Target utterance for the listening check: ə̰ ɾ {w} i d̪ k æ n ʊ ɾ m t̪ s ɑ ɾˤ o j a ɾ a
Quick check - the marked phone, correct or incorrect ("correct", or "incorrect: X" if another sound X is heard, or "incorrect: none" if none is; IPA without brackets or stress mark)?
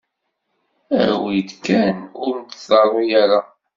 correct